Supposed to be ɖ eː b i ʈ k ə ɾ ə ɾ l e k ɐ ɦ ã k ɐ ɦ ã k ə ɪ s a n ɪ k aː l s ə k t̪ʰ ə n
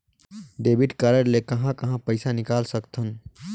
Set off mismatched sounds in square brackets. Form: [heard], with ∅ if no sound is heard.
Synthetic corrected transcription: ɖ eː b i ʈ k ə ɾ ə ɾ l e k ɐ ɦ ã k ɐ ɦ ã [p] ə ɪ s a n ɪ k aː l s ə k t̪ʰ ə n